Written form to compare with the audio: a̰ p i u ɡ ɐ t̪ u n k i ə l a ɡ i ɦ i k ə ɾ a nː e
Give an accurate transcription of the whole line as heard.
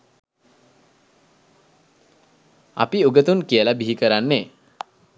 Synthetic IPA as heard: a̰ p i u ɡ ə t̪ u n k i ə l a b i ɦ i k ə ɾ a nː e